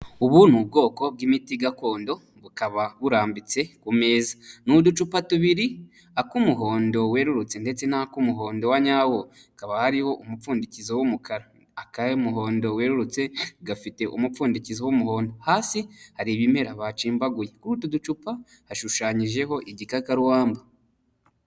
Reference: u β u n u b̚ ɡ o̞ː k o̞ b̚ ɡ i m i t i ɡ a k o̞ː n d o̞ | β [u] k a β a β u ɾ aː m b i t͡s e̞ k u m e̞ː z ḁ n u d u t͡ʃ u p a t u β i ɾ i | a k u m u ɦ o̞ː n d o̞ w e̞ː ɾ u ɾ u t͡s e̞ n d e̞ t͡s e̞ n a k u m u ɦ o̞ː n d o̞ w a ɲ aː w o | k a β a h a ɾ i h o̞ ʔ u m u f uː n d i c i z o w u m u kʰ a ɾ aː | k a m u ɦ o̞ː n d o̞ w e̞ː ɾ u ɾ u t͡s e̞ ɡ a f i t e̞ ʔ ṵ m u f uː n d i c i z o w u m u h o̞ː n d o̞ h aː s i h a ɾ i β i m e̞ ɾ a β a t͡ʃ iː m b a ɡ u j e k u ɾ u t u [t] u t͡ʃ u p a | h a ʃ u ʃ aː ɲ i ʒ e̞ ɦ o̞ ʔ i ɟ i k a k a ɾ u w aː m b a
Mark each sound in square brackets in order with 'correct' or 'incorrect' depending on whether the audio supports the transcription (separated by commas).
correct, incorrect